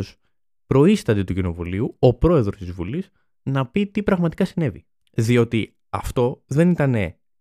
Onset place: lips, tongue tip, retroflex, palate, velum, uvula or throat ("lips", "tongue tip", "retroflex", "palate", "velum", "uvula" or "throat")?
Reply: tongue tip